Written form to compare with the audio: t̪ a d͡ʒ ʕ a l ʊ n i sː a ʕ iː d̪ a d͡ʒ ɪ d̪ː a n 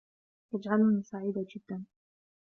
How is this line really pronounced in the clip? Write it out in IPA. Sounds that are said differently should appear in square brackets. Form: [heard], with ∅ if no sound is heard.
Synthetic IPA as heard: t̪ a d͡ʒ ʕ a l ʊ n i [s] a ʕ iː d̪ a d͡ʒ ɪ d̪ː a n